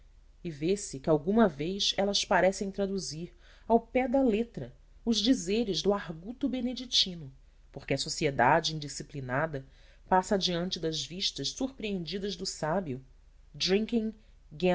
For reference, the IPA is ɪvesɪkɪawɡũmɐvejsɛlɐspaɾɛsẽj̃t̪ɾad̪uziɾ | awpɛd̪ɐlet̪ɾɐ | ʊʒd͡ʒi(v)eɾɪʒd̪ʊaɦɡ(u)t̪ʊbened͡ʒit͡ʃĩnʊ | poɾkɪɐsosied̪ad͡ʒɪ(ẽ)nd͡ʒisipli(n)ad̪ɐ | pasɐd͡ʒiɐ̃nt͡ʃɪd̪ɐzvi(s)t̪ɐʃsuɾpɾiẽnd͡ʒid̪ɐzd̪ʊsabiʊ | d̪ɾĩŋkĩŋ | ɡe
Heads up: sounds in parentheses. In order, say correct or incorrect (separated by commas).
incorrect, correct, incorrect, correct, incorrect